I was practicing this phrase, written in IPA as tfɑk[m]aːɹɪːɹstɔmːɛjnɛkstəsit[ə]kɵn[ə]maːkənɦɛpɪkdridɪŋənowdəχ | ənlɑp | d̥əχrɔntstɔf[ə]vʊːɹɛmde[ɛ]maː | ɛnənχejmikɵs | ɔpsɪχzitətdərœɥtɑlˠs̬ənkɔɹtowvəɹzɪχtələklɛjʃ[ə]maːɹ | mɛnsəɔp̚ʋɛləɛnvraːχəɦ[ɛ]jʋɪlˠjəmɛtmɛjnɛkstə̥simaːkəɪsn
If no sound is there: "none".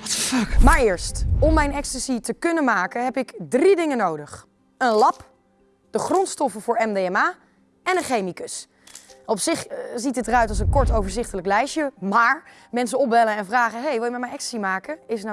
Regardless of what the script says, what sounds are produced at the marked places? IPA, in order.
m, ə, ə, ə, ɛ, ə, e

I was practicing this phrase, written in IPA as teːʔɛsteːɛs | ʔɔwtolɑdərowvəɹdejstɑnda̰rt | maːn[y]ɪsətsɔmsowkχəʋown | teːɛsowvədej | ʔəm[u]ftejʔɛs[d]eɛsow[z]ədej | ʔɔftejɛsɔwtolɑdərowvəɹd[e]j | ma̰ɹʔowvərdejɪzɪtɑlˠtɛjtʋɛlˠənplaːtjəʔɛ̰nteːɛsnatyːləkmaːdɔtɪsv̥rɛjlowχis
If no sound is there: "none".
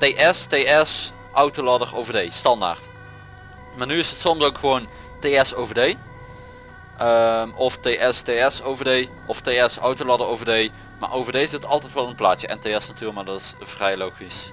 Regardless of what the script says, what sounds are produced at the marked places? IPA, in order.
y, ɔ, t, v, e

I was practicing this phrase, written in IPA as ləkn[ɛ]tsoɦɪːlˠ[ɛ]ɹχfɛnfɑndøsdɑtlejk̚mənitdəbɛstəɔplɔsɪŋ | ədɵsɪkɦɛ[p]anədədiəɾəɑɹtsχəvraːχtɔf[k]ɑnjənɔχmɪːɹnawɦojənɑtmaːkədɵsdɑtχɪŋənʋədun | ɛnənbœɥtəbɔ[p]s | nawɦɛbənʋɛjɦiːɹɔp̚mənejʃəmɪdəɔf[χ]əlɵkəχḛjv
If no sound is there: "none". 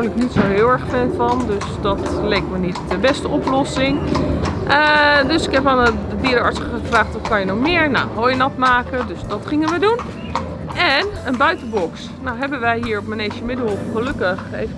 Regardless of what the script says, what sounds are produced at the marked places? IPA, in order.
i, ɛ, p, k, k, χ

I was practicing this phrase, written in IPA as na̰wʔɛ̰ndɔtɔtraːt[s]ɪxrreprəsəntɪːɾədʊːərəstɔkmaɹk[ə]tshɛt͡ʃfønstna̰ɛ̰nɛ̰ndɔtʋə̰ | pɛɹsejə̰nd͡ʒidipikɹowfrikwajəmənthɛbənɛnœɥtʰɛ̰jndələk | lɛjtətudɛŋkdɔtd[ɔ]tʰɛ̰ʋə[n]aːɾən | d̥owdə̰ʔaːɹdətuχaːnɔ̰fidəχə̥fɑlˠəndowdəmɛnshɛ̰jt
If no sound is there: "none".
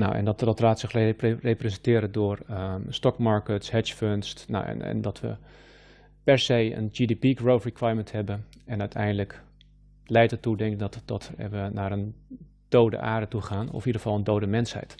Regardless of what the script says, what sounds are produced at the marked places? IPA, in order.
s, ə, ɔ, n

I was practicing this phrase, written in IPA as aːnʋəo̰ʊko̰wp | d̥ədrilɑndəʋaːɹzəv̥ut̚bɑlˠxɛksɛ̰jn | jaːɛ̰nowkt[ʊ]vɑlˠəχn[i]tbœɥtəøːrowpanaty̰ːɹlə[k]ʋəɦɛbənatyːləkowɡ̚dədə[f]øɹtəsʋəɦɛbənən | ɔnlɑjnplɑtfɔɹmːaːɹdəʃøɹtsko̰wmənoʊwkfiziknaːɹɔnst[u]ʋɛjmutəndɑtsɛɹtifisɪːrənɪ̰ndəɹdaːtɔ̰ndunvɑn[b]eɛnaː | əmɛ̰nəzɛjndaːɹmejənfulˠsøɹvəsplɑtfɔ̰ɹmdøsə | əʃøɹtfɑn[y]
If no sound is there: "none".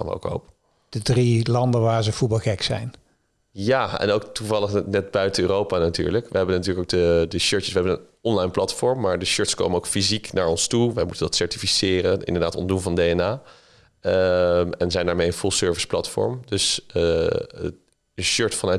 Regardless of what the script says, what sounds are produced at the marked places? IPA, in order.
u, ɛ, k, ʃ, u, d, œ

